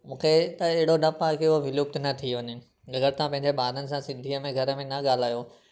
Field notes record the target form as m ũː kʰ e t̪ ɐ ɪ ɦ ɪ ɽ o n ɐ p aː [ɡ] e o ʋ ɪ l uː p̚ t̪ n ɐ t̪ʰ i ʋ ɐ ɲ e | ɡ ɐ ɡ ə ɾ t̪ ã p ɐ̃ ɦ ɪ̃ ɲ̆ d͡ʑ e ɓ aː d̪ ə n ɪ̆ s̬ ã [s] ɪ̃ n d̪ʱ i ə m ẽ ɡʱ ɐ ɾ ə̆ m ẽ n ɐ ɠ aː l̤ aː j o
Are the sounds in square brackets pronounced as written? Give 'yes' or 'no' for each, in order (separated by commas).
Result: no, yes